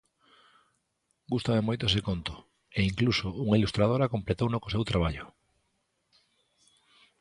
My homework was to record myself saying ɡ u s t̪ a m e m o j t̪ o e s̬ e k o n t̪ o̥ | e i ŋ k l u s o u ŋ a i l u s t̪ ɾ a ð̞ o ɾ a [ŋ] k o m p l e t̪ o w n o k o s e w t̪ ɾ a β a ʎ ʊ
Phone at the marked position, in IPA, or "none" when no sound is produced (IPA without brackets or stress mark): none